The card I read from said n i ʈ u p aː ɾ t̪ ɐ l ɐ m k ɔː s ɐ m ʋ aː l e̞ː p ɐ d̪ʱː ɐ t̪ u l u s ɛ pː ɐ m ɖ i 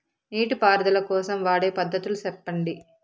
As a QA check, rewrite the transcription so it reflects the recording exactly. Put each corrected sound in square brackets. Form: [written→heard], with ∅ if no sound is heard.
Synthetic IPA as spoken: n [i→iː] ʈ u p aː ɾ [t̪→d̪] ɐ l ɐ [m→∅] k ɔː s ɐ m ʋ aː [l→ɽ] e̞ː p ɐ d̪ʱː ɐ t̪ u l u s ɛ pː ɐ [m→ɳ] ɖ i

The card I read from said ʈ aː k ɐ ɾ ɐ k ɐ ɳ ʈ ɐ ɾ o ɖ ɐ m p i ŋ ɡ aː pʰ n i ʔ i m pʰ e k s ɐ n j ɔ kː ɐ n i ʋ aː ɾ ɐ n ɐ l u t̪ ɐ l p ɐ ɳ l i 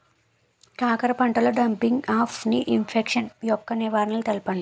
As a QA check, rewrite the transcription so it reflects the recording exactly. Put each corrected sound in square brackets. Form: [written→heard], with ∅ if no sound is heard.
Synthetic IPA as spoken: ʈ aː k ɐ ɾ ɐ [k→p] ɐ ɳ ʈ ɐ [ɾ→l] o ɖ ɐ m p i ŋ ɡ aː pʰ n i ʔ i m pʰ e k [s→ʂ] ɐ n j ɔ kː ɐ n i ʋ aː ɾ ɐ n ɐ l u t̪ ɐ l p ɐ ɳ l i

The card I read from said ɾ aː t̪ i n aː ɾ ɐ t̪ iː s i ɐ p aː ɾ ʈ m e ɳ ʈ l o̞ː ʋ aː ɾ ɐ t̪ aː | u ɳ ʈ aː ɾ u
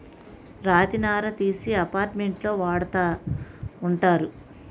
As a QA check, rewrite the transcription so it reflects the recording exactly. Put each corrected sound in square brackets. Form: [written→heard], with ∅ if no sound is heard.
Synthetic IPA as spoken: ɾ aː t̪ i n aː ɾ ɐ t̪ iː s i ɐ p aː ɾ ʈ m e ɳ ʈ l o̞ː ʋ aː [ɾ→ɽ] ɐ t̪ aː | u ɳ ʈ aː ɾ u

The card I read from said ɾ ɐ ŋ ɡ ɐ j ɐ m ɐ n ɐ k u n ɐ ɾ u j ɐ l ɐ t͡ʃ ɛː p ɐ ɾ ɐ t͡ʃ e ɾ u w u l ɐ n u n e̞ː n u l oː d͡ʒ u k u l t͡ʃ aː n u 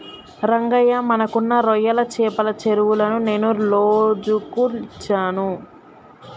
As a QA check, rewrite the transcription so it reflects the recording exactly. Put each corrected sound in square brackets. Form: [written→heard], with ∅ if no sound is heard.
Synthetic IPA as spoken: ɾ ɐ ŋ ɡ ɐ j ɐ m ɐ n ɐ k u [n→nː] ɐ ɾ [u→ɔ] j ɐ l ɐ t͡ʃ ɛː p ɐ [ɾ→l] ɐ t͡ʃ e ɾ u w u l ɐ n u n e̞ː n u l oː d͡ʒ u k u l t͡ʃ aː n u

